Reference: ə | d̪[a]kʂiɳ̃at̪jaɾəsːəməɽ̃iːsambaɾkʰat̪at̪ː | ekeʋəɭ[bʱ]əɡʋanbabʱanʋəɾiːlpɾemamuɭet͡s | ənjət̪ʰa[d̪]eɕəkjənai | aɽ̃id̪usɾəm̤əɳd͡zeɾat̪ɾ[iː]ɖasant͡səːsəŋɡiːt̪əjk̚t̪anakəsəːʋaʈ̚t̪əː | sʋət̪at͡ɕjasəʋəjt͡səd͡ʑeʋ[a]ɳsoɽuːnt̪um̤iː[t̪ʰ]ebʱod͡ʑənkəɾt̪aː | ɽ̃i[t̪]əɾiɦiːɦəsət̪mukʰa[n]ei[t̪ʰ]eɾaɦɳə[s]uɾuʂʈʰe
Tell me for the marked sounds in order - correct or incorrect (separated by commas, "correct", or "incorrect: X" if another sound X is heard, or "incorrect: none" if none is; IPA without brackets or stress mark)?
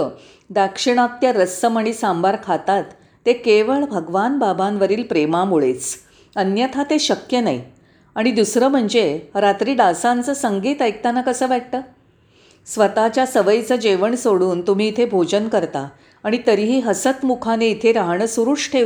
correct, correct, incorrect: t̪, correct, incorrect: ə, correct, correct, correct, correct, correct